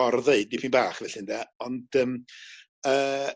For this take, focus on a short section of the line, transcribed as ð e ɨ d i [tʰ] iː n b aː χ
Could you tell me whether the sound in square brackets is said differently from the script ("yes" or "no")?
yes